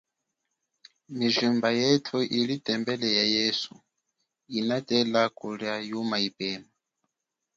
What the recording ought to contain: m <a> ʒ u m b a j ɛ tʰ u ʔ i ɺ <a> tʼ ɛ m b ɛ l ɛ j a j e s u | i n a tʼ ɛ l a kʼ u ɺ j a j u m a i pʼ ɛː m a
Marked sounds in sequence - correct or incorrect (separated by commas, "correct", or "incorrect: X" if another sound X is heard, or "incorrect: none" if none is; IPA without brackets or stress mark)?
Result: incorrect: i, incorrect: i